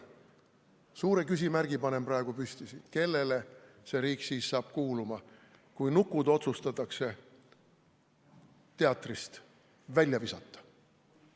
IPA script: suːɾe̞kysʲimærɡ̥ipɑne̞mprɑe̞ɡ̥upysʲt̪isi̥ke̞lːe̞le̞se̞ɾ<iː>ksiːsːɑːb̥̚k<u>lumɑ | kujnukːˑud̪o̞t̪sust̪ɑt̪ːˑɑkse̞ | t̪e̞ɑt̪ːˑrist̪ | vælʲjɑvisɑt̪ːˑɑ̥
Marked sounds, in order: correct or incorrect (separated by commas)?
correct, incorrect